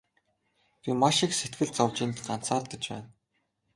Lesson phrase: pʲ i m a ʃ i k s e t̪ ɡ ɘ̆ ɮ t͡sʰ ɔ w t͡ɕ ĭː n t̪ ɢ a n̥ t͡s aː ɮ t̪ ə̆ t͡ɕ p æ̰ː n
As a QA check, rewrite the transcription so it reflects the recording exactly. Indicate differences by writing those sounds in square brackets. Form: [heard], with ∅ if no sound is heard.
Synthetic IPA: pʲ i m a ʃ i k s e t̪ ɡ ɘ̆ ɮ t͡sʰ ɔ w t͡ɕ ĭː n t̪ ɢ a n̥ t͡s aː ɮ t̪ ə̆ t͡ɕ p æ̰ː n

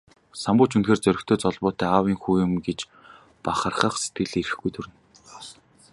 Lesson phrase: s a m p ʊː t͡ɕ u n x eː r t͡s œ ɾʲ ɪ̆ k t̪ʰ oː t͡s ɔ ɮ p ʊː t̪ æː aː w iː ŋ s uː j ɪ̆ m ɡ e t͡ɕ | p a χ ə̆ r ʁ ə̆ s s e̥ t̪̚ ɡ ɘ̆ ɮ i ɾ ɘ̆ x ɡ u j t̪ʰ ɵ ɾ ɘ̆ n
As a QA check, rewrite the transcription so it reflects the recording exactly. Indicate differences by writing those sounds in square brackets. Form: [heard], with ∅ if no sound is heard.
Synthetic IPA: s a m p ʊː t͡ɕ u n x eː r t͡s œ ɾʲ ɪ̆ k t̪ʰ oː t͡s ɔ ɮ p ʊː t̪ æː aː w iː ŋ [x] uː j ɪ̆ m ɡ e t͡ɕ | p a χ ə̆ r [χ] ə̆ [χ] s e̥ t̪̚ ɡ ɘ̆ ɮ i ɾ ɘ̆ x ɡ u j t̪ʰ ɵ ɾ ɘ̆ n

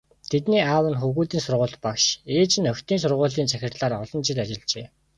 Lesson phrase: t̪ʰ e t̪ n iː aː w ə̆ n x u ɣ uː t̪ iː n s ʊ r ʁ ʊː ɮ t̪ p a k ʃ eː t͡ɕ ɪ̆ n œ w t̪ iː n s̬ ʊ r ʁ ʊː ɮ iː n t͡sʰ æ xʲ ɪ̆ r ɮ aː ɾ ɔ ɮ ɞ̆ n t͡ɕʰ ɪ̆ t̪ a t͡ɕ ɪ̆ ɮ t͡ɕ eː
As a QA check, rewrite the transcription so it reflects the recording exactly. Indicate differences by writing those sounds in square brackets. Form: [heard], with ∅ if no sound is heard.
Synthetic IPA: t̪ʰ e t̪ n iː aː w ə̆ n x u ɣ uː t̪ iː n s ʊ r ʁ ʊː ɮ t̪ p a k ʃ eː t͡ɕ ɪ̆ n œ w t̪ iː n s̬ ʊ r ʁ ʊː ɮ iː n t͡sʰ æ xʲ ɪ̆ r ɮ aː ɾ ɔ ɮ ɞ̆ n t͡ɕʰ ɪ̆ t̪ a t͡ɕ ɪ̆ ɮ t͡ɕ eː

